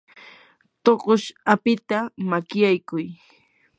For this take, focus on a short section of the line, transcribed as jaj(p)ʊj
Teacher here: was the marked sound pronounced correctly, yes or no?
no